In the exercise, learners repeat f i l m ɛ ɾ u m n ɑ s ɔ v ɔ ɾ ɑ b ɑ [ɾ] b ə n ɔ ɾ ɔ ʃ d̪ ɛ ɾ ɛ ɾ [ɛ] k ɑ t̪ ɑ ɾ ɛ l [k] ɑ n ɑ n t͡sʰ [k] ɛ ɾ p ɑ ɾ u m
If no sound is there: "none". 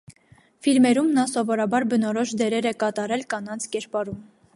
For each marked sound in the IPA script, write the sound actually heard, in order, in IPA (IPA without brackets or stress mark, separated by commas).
ɾ, ɛ, k, k